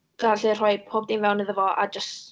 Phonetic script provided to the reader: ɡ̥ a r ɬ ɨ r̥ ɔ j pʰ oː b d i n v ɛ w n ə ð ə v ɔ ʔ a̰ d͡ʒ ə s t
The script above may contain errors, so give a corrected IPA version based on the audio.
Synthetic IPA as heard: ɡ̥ a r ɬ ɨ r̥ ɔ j pʰ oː b d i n v ɛ w n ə ð ə v ɔ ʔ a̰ d͡ʒ ə s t